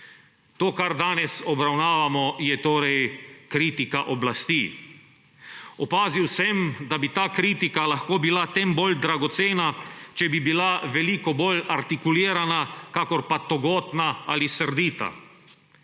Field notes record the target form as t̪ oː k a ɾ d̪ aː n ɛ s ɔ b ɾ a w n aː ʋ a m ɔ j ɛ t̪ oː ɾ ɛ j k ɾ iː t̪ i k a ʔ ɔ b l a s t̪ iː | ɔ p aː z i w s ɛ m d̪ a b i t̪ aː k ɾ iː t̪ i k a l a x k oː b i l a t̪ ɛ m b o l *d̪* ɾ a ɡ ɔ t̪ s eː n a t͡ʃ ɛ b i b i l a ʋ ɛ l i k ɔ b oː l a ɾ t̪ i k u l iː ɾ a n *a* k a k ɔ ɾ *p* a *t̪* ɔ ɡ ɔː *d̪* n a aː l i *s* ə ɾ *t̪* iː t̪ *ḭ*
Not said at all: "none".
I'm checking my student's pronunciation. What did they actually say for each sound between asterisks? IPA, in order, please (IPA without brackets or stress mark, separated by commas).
d̪, a, p, t̪, t̪, s, d̪, a̰